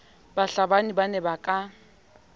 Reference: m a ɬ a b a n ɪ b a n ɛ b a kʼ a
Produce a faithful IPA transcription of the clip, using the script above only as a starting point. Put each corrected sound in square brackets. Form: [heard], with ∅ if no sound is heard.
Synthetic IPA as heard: [b] a ɬ a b a n [i] b a n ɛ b a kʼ a